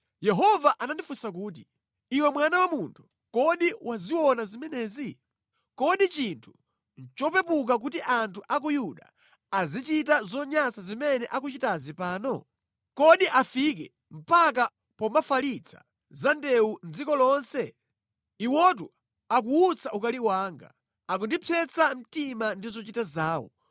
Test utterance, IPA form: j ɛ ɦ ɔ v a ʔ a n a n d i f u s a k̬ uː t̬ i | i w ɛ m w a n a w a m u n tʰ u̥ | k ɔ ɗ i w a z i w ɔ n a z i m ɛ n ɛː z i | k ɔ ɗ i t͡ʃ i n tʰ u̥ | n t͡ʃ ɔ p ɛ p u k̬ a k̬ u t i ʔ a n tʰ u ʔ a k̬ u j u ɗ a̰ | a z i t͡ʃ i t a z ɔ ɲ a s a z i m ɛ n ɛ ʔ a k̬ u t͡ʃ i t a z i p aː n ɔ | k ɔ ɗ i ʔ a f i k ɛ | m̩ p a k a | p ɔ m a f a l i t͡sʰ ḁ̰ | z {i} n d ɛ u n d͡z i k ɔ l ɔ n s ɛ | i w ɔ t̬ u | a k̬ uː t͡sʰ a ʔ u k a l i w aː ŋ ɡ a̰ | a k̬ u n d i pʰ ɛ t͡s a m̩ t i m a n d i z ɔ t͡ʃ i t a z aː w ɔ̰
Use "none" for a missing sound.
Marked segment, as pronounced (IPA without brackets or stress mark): a